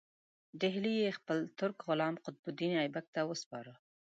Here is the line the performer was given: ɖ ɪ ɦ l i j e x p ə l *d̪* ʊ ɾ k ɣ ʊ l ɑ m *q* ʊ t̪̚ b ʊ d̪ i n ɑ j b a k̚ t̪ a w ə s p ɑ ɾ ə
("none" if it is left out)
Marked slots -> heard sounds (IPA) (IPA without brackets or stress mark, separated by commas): t̪, q